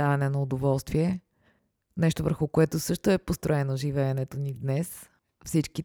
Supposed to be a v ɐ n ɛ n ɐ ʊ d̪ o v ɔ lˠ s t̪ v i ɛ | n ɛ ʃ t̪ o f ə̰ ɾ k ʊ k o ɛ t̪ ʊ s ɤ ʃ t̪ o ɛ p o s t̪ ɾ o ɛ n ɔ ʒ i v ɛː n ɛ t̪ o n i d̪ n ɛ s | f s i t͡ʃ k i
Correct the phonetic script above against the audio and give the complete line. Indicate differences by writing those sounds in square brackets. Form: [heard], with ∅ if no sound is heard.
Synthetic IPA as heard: a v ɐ n ɛ n ɐ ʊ d̪ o v ɔ lˠ s t̪ v i ɛ | n ɛ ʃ t̪ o [v] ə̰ ɾ [x] ʊ k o ɛ t̪ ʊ s ɤ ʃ t̪ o ɛ p o s t̪ ɾ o ɛ n [o] ʒ i v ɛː n ɛ t̪ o n i d̪ n ɛ s | f s i t͡ʃ k i